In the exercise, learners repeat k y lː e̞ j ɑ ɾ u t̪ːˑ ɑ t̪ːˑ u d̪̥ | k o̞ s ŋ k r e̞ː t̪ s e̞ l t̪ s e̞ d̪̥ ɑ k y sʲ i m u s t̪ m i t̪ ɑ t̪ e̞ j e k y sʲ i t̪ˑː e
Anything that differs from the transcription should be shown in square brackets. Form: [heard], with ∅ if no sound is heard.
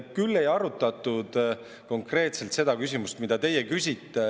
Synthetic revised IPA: k y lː e̞ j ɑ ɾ u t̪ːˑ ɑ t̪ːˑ u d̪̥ | k o̞ [∅] ŋ k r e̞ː t̪ s e̞ l t̪ s e̞ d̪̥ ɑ k y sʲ i m u s t̪ m i [d̪] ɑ t̪ e̞ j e k y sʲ i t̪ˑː e